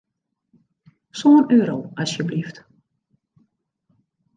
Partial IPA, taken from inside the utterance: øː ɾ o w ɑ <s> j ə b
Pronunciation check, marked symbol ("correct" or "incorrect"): correct